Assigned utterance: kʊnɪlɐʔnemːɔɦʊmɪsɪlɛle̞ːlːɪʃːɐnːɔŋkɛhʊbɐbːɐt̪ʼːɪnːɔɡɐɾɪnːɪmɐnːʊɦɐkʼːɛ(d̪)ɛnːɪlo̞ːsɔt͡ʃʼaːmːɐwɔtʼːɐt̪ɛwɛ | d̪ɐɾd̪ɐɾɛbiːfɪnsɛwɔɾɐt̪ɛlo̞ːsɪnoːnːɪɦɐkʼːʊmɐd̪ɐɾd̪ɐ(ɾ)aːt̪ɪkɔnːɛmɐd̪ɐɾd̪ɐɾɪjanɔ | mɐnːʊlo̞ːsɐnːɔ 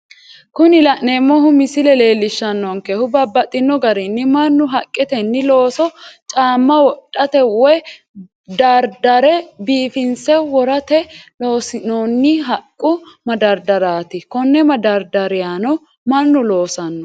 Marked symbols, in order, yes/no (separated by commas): no, yes